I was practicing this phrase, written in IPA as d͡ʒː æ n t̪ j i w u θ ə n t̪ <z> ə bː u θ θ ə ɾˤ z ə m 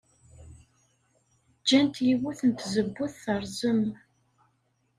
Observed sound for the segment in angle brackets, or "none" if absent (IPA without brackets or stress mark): z